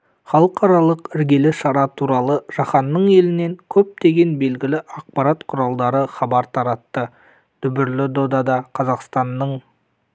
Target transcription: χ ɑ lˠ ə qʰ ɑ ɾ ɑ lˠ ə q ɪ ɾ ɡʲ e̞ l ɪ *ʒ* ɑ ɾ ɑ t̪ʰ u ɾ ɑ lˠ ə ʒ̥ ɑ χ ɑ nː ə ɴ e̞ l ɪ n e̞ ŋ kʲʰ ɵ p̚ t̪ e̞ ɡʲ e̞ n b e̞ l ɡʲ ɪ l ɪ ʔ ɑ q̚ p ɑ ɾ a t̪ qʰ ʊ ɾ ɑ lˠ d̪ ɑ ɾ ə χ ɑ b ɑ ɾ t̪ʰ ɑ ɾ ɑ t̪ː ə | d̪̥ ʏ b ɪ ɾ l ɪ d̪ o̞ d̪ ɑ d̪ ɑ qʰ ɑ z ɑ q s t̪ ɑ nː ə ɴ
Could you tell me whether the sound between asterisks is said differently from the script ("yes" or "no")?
yes